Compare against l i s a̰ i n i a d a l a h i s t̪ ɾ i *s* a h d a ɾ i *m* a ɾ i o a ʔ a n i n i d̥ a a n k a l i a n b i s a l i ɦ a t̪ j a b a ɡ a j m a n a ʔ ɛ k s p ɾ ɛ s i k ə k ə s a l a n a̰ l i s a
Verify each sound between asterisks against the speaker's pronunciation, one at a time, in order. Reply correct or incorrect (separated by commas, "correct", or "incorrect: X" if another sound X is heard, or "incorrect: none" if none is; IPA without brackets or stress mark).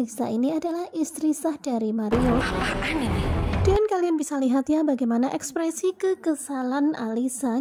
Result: correct, correct